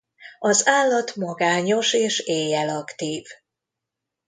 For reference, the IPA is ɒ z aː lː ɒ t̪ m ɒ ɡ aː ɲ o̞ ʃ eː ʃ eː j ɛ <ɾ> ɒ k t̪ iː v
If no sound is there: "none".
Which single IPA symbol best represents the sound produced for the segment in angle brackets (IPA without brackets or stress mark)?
l